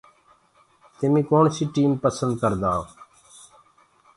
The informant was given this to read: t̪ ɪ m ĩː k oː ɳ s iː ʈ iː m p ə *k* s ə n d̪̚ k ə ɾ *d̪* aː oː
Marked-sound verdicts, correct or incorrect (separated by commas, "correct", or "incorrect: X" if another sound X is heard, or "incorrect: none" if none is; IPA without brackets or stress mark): incorrect: none, correct